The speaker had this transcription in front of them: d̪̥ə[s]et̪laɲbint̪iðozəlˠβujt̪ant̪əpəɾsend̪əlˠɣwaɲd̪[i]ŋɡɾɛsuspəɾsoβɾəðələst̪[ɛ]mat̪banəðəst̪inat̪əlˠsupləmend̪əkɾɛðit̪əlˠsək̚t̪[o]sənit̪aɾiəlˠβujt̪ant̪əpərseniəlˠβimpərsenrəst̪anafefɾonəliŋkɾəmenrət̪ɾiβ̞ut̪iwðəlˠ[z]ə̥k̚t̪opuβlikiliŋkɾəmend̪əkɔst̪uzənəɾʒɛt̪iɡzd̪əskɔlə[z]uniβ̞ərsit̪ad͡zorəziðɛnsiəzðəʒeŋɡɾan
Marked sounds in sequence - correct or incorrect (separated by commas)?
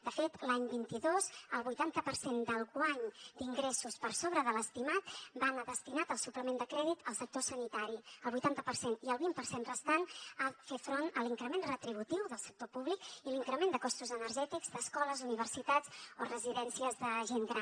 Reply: incorrect, correct, incorrect, correct, incorrect, correct